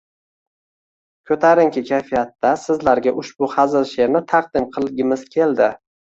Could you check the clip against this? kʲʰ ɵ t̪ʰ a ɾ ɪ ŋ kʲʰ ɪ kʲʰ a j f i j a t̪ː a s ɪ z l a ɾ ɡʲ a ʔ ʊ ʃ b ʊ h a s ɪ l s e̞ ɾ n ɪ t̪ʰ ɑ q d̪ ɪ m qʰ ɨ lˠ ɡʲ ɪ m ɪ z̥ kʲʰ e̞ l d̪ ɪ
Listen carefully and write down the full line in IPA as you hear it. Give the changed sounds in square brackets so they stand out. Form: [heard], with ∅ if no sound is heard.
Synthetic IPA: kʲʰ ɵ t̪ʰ a ɾ ɪ ŋ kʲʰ ɪ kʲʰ a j f i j a t̪ː a s ɪ z l a ɾ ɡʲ a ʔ ʊ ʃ b ʊ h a [z] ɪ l [ʃ] e̞ ɾ n ɪ t̪ʰ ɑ q d̪ ɪ m qʰ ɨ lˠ ɡʲ ɪ m ɪ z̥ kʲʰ e̞ l d̪ ɪ